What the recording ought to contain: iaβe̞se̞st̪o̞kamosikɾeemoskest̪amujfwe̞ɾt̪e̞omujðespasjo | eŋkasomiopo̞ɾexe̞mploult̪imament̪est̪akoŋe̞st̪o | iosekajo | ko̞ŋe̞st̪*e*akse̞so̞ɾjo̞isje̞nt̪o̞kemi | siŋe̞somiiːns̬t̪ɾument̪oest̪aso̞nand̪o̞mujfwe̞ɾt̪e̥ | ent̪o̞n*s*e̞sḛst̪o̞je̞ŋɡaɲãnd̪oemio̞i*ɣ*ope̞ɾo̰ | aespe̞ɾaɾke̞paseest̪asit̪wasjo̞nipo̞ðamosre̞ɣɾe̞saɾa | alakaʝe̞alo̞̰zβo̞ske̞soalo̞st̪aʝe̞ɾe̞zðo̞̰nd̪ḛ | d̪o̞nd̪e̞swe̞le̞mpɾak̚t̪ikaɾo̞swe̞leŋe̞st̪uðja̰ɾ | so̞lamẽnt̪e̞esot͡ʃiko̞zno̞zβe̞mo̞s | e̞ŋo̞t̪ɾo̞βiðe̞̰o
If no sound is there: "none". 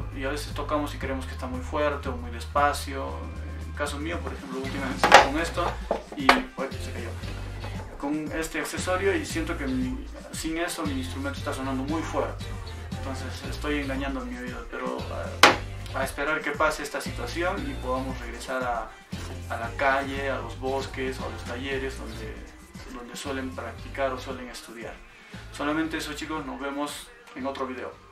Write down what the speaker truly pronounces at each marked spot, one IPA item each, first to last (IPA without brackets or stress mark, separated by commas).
e, s, ð